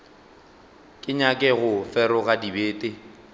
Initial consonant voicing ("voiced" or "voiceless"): voiceless